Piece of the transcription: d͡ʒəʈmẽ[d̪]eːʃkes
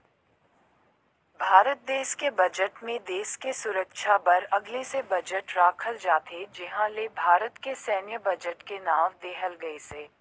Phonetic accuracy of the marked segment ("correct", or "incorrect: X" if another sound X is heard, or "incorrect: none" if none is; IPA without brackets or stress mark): correct